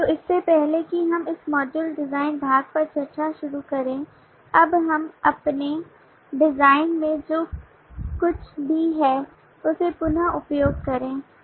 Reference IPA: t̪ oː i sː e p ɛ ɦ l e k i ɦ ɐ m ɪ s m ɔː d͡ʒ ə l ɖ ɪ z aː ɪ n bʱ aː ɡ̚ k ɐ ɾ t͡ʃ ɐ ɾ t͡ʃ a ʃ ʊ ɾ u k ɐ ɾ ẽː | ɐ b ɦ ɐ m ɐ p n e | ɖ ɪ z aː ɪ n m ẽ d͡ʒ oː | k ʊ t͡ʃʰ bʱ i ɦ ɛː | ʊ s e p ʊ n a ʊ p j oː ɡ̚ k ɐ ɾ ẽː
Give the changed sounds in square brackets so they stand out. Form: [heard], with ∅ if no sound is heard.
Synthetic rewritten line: t̪ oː [ɪ] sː e p ɛ ɦ l e k i ɦ ɐ m ɪ s m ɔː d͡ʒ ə l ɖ ɪ z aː ɪ n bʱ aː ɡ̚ [p] ɐ ɾ t͡ʃ ɐ ɾ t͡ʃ a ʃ ʊ ɾ u k ɐ ɾ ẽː | ɐ b ɦ ɐ m ɐ p n e | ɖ ɪ z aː ɪ n m ẽ d͡ʒ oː | k ʊ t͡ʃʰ bʱ i ɦ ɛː | ʊ s e p ʊ n a ʊ p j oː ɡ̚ k ɐ ɾ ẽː